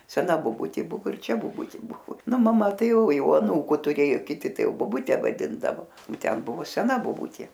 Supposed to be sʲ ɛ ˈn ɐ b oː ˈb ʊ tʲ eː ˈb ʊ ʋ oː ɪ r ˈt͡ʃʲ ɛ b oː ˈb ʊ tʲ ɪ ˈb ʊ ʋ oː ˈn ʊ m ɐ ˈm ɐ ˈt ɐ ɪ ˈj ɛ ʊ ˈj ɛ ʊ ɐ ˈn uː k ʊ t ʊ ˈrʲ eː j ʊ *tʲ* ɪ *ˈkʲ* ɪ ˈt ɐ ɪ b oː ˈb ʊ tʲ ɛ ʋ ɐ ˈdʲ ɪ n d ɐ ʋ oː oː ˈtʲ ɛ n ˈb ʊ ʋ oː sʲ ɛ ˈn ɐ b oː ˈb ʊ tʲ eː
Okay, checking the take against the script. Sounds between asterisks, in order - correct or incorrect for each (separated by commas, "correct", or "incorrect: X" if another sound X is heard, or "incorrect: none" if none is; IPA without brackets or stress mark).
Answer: incorrect: kʲ, incorrect: tʲ